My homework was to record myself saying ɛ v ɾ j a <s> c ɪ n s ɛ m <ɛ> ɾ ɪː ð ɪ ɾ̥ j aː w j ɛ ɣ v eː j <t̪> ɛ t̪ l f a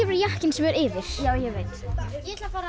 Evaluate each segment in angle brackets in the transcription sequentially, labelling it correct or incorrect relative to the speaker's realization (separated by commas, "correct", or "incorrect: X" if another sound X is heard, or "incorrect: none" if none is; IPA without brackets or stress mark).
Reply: incorrect: h, correct, correct